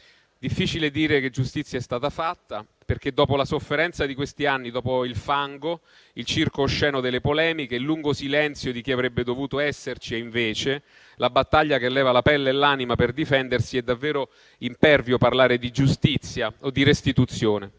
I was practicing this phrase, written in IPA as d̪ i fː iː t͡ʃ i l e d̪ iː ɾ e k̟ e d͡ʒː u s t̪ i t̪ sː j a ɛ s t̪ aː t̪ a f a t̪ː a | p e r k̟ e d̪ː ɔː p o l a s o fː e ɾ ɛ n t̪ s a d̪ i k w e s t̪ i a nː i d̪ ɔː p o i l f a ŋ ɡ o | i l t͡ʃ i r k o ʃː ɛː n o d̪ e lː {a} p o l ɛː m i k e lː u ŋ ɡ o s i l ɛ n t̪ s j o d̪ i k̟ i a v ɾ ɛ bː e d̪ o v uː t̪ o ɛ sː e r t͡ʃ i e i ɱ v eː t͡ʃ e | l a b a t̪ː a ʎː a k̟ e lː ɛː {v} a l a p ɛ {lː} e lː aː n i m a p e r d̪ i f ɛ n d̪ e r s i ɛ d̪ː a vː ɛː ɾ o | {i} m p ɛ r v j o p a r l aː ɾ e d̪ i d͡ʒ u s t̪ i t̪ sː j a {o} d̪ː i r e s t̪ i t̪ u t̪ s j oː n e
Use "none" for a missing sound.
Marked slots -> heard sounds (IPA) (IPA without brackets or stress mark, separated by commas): e, v, lː, i, o